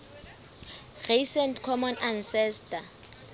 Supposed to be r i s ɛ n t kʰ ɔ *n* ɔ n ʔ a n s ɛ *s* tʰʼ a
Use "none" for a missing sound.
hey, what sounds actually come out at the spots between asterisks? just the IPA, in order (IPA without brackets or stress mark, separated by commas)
m, s